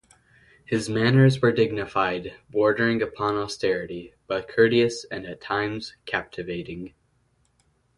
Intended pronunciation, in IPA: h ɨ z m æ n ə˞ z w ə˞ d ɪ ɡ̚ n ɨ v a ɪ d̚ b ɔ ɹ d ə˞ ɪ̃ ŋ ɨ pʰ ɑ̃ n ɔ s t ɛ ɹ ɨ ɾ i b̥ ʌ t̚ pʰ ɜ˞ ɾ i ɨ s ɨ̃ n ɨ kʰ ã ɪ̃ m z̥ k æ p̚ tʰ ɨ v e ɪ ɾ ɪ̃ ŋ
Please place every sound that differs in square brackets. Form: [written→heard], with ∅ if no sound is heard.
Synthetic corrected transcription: h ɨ z m æ n ə˞ z w ə˞ d ɪ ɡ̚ n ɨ [v→f] a ɪ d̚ b ɔ ɹ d ə˞ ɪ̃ ŋ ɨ pʰ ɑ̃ n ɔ s t ɛ ɹ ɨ ɾ i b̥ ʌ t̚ [pʰ→kʰ] ɜ˞ ɾ i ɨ s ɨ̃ n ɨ [kʰ→tʰ] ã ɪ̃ m z̥ [k→kʰ] æ p̚ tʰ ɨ v e ɪ ɾ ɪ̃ ŋ